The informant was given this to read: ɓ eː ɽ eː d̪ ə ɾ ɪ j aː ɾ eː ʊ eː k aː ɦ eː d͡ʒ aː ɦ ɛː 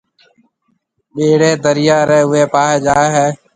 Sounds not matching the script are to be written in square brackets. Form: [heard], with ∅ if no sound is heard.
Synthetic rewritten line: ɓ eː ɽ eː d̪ ə ɾ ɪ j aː ɾ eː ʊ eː [p] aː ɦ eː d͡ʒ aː ɦ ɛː